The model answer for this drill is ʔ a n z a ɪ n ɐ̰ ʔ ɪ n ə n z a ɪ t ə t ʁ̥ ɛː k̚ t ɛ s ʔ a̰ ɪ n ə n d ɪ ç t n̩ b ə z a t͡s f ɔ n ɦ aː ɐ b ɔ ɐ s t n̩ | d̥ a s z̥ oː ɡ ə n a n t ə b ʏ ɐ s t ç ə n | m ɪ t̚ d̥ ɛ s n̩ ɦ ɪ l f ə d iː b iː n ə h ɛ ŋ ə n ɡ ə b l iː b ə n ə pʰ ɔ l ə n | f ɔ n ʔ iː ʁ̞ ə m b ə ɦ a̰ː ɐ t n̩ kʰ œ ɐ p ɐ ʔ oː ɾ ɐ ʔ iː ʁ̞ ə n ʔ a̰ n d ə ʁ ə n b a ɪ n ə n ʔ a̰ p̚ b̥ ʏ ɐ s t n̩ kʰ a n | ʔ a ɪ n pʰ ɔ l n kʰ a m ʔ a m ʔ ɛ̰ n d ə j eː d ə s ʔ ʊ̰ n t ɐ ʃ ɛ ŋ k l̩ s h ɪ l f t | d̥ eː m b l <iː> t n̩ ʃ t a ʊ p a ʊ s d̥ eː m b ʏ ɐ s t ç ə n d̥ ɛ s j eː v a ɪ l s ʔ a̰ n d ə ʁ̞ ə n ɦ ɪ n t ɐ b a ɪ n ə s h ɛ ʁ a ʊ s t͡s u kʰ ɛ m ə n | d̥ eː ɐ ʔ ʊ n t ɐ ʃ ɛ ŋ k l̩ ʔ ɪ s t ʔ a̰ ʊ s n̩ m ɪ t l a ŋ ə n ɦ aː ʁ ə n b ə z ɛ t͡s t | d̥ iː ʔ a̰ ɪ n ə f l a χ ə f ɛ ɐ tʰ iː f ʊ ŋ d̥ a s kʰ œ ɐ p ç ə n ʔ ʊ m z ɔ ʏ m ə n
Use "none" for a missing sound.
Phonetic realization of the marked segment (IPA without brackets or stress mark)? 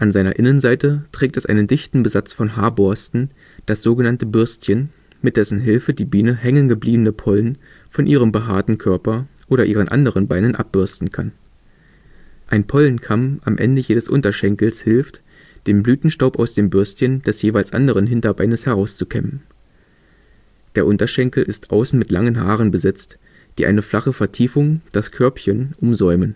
yː